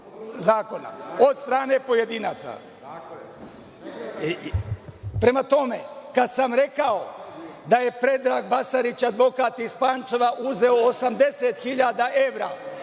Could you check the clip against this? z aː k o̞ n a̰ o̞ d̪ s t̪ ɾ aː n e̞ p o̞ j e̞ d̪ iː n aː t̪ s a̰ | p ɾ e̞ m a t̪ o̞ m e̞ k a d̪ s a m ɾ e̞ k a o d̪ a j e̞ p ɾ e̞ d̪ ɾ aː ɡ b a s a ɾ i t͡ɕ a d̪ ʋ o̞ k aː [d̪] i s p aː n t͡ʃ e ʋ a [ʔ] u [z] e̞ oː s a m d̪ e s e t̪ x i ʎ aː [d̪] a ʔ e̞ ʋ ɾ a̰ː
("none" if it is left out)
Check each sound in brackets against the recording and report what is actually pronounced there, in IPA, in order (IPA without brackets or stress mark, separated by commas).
t̪, ʔ, z, d̪